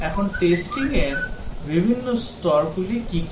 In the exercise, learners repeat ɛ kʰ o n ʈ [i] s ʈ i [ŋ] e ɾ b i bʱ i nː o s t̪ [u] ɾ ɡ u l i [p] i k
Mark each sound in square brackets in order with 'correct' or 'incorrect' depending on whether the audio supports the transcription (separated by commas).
incorrect, correct, incorrect, incorrect